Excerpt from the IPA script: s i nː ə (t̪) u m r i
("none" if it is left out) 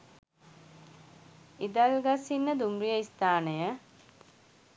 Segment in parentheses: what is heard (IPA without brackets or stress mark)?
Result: d̪